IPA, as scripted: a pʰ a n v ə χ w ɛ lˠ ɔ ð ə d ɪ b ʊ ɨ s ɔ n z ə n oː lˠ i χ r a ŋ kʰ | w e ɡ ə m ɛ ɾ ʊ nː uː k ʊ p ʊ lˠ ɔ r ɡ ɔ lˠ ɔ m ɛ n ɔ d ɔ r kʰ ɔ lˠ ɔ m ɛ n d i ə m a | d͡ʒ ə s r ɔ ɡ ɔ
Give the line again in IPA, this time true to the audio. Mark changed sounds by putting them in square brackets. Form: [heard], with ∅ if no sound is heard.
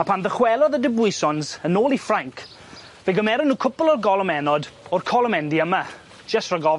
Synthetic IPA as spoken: a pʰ a n [ð] ə χ w ɛ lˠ ɔ ð ə d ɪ b ʊ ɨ s ɔ n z ə n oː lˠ i [f] r a ŋ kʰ | [v] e ɡ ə m ɛ ɾ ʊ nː uː [kʰ] ʊ p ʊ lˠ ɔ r ɡ ɔ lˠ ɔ m ɛ n ɔ d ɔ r kʰ ɔ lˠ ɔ m ɛ n d i ə m a | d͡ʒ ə s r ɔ ɡ ɔ

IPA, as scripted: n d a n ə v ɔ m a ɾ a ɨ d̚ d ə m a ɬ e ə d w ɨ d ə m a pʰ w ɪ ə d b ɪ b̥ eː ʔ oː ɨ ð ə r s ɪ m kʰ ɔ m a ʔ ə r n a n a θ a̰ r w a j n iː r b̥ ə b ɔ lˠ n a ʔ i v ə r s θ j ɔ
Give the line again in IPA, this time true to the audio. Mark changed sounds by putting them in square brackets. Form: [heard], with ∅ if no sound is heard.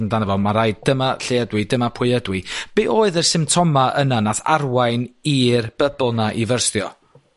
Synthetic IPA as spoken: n d a n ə v ɔ m a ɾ a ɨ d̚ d ə m a ɬ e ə d w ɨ d ə m a pʰ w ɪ ə d [w] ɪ b̥ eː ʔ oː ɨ ð ə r s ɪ m [tʰ] ɔ m a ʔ ə [∅] n a n a θ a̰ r w a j n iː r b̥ ə b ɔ lˠ n a ʔ i v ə r s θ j ɔ

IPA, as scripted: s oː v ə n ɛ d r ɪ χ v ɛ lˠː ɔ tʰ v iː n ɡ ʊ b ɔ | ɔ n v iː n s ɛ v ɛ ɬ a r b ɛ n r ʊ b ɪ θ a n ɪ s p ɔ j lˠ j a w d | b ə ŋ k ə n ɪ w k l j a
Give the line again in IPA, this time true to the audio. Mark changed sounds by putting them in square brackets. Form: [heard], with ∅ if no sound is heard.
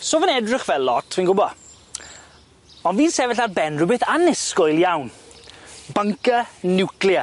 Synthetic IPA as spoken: s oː v ə n ɛ d r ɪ χ v ɛ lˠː ɔ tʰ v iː n ɡ ʊ b ɔ | ɔ n v iː n s ɛ v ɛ ɬ a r b ɛ n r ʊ b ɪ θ a n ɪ s [k] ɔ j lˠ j a w [n] | b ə ŋ k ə n ɪ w k l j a

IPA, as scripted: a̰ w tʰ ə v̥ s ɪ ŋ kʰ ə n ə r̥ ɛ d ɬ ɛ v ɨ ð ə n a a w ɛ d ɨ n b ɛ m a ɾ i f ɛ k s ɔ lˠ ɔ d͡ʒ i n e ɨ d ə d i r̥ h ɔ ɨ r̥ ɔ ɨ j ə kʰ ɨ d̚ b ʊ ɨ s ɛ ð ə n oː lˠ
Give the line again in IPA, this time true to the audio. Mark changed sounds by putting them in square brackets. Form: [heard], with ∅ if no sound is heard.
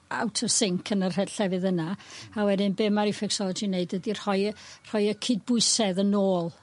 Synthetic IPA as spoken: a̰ w tʰ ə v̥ s ɪ ŋ kʰ ə n ə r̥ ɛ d ɬ ɛ v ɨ ð ə n a a w ɛ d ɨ n b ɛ m a ɾ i f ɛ k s ɔ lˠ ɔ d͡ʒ i n e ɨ d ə d i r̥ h ɔ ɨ r̥ ɔ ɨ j ə kʰ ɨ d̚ b ʊ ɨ s ɛ ð ə n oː lˠ

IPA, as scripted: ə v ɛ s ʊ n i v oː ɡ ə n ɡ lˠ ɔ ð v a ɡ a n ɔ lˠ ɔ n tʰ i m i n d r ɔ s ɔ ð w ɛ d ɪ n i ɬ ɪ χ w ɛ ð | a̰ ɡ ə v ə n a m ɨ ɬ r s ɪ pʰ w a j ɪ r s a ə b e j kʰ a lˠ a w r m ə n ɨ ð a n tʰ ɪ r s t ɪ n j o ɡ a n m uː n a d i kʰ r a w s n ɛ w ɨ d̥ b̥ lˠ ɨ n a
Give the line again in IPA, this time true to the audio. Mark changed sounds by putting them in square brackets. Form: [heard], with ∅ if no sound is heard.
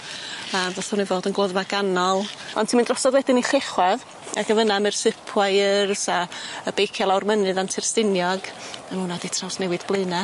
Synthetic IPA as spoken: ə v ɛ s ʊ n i v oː [d] ə n ɡ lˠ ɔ ð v a ɡ a n ɔ lˠ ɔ n tʰ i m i n d r ɔ s ɔ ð w ɛ d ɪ n i ɬ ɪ χ w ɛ ð | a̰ ɡ ə v ə n a m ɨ [∅] r s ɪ pʰ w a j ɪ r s a ə b e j kʰ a lˠ a w r m ə n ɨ ð a n tʰ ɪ r s t ɪ n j [ɔ] ɡ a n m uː n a d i [tʰ] r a w s n ɛ w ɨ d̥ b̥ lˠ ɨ n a

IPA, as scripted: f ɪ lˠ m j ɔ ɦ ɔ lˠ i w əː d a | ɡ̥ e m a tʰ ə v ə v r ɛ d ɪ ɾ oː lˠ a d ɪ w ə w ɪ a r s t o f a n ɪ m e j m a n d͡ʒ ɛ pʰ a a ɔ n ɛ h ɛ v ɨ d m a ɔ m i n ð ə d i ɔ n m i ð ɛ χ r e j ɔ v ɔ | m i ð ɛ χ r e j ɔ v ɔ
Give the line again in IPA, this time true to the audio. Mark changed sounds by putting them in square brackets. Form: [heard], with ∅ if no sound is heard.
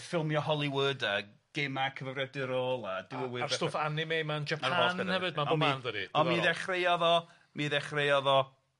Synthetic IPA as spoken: f ɪ lˠ m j ɔ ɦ ɔ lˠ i w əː d a | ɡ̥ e m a [kʰ] ə v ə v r ɛ d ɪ ɾ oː lˠ a d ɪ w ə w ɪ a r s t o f a n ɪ m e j m a n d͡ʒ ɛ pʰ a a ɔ n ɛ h ɛ v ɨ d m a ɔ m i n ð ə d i ɔ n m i ð ɛ χ r e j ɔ [ð] ɔ | m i ð ɛ χ r e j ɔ [ð] ɔ

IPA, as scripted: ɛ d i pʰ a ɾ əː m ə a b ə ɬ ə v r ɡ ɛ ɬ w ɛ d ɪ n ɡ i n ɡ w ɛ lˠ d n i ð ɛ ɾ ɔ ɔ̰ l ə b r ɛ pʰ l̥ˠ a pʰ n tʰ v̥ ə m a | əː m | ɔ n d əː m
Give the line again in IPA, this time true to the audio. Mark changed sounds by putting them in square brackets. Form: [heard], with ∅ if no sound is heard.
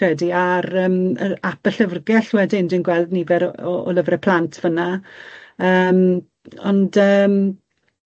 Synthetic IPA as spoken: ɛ d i [∅] a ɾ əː m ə a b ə ɬ ə v r ɡ ɛ ɬ w ɛ d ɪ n [d] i n ɡ w ɛ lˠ d n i [v] ɛ ɾ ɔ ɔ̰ l ə [v] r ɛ pʰ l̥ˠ a [∅] n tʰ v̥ ə [n] a | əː m | ɔ n d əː m

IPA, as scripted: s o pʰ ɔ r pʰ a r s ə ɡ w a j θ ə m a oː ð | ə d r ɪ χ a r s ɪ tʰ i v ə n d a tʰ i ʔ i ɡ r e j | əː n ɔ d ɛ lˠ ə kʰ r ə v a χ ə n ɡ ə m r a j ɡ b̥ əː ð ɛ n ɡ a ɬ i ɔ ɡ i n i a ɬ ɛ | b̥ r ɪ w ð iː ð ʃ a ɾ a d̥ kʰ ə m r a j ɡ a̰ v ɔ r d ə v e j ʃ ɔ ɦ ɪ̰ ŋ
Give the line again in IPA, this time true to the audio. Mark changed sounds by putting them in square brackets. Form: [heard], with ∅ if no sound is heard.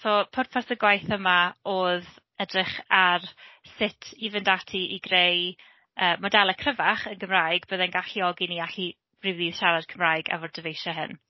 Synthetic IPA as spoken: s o pʰ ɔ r pʰ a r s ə ɡ w a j θ ə m a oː ð | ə d r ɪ χ a r s ɪ tʰ i v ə n d a tʰ i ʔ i ɡ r e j | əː [m] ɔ d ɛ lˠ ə kʰ r ə v a χ ə n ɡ ə m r a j ɡ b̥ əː ð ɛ n ɡ a ɬ i ɔ ɡ i n i a ɬ [i] | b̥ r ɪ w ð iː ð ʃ a ɾ a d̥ kʰ ə m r a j ɡ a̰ v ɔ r d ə v e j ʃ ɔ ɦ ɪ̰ [n]

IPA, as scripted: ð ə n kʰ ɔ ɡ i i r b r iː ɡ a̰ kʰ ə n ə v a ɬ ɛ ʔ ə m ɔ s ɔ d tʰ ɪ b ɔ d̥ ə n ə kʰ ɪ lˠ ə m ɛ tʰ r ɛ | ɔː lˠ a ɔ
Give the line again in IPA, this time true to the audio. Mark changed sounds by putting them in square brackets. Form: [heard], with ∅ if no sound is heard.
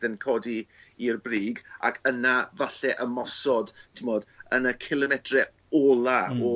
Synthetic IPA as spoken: ð ə n kʰ ɔ [d] i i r b r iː ɡ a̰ kʰ ə n [a] v a ɬ ɛ ʔ ə m ɔ s ɔ d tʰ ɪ [m] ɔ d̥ ə n ə kʰ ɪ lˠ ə m ɛ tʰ r ɛ | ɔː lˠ a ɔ

